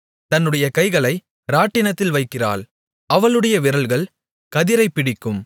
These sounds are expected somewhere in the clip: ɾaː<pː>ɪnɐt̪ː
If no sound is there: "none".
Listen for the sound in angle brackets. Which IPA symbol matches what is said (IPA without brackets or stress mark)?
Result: ʈː